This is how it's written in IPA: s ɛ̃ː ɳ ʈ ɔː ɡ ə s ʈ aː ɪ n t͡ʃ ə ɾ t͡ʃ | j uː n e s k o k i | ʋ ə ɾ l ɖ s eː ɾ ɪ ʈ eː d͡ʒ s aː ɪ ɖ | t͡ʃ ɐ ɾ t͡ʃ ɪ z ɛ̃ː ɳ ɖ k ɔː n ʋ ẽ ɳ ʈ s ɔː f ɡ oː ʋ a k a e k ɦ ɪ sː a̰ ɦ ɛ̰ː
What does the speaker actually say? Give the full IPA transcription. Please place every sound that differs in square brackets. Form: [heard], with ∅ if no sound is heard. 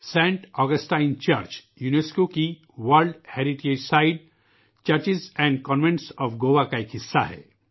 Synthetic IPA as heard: s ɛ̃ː ɳ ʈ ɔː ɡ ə s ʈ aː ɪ n t͡ʃ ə ɾ t͡ʃ | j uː n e s k o k i | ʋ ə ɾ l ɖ [h] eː ɾ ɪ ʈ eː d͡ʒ s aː ɪ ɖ | t͡ʃ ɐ ɾ t͡ʃ ɪ z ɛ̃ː ɳ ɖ k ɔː n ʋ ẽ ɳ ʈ s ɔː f ɡ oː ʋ a k a e k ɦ ɪ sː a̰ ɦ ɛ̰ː